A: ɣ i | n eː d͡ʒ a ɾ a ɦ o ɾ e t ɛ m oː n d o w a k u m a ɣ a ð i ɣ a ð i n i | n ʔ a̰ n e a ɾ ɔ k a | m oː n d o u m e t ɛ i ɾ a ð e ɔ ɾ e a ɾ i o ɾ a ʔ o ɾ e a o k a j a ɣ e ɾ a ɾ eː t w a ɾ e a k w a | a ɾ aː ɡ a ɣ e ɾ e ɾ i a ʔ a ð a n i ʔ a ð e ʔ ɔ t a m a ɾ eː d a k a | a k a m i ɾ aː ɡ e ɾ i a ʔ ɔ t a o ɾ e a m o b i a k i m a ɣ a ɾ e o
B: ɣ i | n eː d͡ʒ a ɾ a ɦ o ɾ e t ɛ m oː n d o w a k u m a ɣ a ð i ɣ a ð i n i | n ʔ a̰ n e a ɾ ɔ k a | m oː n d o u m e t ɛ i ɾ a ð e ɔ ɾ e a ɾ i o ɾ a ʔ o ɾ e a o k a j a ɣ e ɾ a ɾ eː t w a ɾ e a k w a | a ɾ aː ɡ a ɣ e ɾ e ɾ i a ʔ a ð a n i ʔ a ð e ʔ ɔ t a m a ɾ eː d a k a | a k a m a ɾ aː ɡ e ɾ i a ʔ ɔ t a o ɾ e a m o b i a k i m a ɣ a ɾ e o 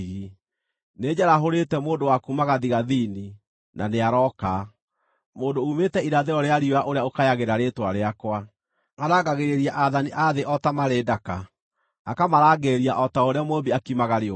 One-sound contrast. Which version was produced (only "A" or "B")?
B